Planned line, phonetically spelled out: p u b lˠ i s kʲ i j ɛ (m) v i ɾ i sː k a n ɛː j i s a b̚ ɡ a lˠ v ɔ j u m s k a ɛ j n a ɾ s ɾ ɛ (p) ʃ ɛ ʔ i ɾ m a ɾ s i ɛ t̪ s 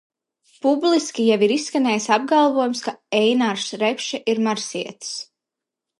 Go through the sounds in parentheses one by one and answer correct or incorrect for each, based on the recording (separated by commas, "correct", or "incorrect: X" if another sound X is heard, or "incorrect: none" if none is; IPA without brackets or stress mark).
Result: incorrect: none, correct